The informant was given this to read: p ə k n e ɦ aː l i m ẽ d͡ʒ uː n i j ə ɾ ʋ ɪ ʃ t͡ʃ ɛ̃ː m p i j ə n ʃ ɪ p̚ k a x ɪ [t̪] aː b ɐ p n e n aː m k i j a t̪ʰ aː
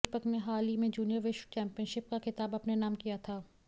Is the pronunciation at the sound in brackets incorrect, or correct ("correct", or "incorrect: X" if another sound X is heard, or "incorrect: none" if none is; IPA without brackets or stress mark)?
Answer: correct